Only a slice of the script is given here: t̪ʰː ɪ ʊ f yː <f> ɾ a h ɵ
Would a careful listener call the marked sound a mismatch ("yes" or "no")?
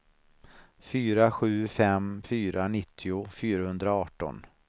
yes